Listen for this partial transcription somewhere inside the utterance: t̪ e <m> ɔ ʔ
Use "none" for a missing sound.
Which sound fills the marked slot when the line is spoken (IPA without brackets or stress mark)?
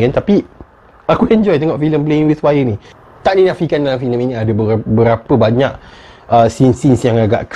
ŋ